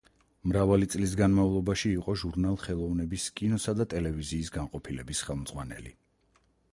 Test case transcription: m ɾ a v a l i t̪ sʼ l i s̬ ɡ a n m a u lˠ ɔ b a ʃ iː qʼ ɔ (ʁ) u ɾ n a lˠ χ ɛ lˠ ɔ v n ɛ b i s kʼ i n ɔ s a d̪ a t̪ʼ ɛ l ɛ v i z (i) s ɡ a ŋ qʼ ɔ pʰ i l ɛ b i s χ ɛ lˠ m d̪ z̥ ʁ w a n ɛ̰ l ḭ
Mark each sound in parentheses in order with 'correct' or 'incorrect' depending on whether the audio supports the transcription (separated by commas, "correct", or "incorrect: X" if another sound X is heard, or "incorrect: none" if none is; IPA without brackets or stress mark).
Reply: incorrect: ʒ, incorrect: iː